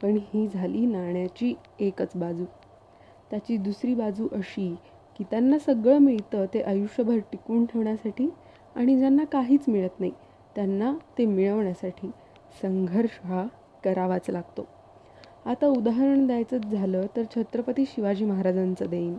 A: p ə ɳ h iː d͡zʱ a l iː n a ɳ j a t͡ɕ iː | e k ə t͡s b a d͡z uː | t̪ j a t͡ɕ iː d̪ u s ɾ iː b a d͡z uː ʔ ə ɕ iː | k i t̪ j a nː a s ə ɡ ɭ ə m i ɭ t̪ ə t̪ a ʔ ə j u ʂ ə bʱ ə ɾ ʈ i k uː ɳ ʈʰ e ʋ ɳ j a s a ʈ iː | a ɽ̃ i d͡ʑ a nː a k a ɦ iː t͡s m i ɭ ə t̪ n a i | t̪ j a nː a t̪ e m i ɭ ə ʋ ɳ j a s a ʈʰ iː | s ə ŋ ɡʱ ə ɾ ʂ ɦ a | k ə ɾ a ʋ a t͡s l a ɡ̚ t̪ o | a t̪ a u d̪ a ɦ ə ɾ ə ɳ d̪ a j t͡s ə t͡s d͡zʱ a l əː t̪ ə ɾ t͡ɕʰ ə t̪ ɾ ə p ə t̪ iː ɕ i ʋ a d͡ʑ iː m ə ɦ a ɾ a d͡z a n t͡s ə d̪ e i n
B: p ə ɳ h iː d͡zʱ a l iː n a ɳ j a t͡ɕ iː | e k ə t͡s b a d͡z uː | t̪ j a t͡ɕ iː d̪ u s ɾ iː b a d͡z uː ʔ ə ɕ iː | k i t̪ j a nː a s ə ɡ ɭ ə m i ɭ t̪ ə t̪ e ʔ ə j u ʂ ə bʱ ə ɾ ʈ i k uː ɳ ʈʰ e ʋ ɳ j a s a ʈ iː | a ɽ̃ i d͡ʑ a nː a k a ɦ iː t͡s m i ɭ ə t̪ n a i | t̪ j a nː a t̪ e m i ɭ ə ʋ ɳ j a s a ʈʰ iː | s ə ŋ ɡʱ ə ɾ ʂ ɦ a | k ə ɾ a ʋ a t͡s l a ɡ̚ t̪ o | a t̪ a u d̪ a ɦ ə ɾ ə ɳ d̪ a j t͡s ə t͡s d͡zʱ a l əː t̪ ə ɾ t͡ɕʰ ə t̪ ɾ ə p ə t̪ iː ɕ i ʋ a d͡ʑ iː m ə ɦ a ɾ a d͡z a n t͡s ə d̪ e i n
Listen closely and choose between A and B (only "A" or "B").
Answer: B